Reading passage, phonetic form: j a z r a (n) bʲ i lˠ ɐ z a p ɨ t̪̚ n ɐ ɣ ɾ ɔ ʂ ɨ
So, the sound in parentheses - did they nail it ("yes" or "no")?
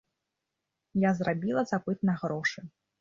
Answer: no